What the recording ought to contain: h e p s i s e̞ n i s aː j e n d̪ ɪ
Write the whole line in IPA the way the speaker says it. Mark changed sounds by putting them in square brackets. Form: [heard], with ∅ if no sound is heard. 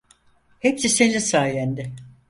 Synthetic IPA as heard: h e p s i s e̞ n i s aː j [æ] n d̪ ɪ